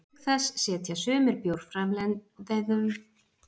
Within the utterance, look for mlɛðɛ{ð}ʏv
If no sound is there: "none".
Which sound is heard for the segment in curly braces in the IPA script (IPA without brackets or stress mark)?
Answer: ð